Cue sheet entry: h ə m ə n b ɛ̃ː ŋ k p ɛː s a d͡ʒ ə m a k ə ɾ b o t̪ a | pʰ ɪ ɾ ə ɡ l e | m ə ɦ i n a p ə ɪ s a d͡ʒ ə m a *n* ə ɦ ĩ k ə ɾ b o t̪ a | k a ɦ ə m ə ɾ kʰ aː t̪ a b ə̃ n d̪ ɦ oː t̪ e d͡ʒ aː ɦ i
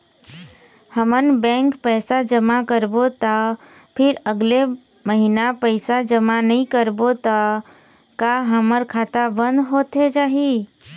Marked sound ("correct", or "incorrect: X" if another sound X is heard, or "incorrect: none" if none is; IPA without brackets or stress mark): correct